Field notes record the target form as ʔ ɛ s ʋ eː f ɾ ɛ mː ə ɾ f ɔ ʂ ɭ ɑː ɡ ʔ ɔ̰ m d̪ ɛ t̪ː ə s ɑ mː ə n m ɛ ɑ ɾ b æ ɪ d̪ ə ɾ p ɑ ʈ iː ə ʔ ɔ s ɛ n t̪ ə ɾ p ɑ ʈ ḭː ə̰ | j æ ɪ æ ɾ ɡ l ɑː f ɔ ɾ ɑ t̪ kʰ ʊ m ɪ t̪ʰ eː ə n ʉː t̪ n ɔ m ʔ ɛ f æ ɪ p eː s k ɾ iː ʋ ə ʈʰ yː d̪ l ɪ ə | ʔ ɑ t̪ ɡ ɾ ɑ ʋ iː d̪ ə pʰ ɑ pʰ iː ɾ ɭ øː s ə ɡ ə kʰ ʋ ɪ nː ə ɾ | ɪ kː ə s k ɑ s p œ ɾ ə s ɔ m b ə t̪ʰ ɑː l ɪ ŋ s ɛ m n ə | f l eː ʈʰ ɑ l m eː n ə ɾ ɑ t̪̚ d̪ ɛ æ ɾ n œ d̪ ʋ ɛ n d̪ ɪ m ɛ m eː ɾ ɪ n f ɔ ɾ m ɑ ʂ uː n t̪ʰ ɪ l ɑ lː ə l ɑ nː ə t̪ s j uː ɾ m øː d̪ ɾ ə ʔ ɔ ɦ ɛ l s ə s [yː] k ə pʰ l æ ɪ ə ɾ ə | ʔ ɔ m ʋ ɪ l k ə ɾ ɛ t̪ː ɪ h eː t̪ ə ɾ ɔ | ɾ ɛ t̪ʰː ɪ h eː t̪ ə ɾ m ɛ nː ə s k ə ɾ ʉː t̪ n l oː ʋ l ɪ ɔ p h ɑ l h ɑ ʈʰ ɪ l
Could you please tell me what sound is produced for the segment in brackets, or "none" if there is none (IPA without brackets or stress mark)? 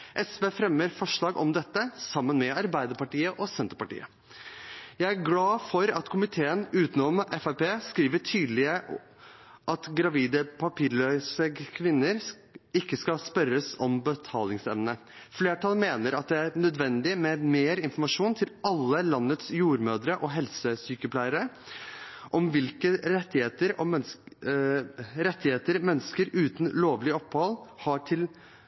yː